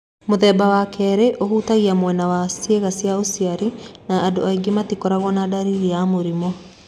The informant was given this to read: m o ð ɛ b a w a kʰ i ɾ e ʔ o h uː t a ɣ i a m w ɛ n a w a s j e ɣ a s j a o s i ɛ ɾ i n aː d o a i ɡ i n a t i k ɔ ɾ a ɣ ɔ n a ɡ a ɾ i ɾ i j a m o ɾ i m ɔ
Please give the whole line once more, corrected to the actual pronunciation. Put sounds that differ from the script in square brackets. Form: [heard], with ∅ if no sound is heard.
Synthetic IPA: m o ð ɛ b a w a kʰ [ɛ] ɾ e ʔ o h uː t a ɣ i a m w ɛ n a w a s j e ɣ a s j a o s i [a] ɾ i n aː d o a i ɡ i [m] a t i k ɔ ɾ a ɣ ɔ n a [d] a ɾ i ɾ i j a m o ɾ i m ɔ